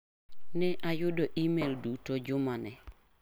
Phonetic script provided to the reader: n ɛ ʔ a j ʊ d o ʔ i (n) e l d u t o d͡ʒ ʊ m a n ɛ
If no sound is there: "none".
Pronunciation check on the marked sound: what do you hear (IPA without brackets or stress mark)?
m